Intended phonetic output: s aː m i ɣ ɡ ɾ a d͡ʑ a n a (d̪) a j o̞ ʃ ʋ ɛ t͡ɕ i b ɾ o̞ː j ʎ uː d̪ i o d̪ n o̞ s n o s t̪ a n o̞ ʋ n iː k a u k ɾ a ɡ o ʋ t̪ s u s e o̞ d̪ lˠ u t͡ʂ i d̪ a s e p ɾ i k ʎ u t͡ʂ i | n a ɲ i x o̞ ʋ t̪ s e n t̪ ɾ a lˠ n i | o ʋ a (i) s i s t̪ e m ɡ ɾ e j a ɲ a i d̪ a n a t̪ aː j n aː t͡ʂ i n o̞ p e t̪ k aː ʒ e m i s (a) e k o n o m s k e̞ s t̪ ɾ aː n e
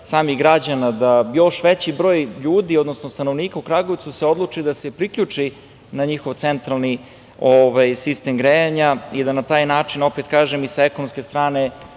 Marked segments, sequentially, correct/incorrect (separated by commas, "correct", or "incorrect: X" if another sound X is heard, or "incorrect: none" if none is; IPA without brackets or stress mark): correct, incorrect: j, correct